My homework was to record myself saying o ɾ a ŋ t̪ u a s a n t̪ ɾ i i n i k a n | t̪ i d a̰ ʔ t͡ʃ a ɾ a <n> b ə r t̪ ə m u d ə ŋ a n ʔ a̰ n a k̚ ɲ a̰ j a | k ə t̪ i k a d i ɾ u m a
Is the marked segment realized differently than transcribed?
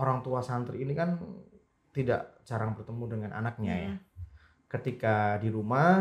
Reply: yes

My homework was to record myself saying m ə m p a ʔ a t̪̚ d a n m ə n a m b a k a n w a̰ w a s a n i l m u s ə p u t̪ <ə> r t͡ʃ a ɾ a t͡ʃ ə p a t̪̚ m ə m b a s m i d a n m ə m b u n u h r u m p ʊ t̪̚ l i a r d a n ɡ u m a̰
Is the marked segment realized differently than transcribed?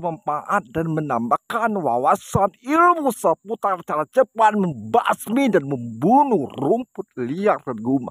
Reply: yes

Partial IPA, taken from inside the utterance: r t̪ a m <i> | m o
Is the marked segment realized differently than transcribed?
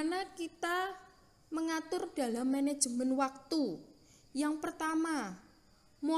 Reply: yes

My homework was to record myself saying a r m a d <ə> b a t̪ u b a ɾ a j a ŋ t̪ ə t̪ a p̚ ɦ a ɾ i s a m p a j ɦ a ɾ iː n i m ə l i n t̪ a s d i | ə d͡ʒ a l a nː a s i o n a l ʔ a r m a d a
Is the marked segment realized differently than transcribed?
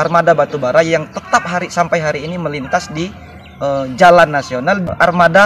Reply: yes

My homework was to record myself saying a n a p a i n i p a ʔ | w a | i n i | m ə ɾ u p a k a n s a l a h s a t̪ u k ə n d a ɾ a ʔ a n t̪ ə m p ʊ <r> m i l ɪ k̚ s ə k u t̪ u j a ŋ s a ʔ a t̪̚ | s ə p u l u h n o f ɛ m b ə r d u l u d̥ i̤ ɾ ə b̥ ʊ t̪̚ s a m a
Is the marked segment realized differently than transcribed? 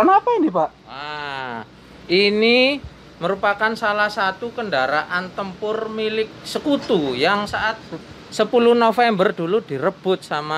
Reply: no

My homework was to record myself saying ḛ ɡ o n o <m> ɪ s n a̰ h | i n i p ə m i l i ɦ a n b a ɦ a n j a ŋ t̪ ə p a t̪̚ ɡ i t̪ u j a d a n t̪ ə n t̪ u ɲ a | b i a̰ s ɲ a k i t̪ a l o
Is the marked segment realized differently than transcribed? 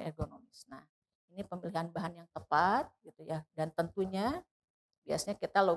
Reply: no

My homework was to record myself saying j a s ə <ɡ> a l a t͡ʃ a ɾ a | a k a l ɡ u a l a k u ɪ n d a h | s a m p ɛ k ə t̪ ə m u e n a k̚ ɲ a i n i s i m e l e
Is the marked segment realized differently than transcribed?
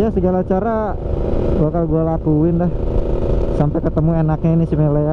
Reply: no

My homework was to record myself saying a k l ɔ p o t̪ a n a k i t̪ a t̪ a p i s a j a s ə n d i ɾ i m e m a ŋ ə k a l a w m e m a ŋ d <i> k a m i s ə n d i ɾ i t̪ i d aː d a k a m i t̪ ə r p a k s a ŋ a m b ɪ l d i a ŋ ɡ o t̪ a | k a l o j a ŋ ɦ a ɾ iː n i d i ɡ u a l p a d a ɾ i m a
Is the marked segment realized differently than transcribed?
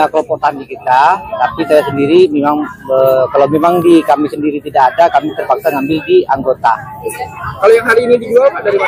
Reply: no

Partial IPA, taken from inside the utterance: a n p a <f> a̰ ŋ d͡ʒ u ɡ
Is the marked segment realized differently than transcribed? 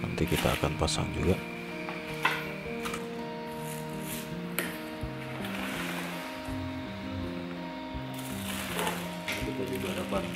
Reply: yes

